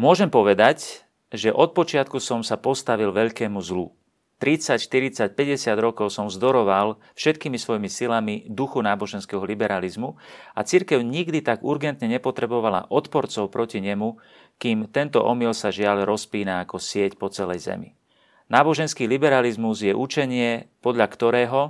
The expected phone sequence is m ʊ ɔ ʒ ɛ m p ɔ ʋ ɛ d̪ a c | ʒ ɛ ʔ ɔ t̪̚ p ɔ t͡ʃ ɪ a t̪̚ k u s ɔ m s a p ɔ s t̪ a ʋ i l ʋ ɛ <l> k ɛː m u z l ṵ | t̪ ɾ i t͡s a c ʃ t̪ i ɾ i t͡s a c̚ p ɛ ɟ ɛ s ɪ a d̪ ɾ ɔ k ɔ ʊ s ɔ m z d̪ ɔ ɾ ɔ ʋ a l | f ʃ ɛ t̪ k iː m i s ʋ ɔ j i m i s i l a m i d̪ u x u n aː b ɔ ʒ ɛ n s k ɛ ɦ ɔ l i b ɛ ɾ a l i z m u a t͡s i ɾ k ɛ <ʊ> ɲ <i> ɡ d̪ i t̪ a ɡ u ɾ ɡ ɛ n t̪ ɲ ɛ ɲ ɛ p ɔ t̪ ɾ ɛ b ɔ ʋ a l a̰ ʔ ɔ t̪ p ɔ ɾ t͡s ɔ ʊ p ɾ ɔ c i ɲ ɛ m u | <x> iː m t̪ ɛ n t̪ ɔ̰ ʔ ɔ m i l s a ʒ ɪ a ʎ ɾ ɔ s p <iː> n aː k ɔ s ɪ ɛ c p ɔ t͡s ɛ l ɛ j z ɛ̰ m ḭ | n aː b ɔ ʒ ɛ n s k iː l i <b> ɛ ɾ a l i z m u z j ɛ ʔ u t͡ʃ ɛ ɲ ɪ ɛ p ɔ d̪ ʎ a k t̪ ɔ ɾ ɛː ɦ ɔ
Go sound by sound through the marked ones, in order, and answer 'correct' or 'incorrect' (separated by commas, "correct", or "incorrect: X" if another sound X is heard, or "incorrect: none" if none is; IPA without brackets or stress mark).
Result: incorrect: ʎ, correct, correct, incorrect: k, correct, correct